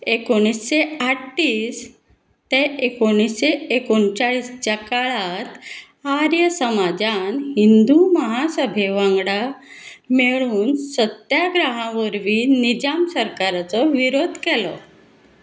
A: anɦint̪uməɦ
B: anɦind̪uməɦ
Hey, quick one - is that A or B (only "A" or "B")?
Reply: B